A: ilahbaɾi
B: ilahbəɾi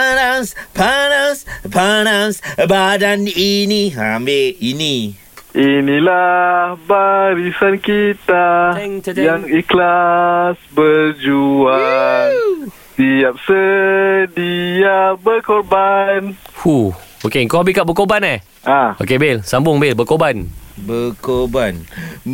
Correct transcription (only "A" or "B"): A